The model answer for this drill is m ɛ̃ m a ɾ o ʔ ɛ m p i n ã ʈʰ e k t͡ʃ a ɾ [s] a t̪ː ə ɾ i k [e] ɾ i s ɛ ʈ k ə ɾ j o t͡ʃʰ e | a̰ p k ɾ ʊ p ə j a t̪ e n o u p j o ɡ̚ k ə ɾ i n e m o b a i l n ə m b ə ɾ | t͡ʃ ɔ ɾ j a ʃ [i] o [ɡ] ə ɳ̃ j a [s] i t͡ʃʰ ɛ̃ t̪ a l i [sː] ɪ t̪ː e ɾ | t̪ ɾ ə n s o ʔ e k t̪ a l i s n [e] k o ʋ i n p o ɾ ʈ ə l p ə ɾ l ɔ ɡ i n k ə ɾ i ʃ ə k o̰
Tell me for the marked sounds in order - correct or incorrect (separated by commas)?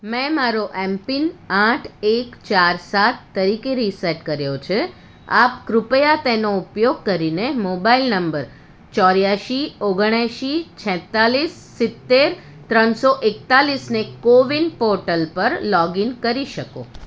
correct, correct, correct, correct, incorrect, correct, correct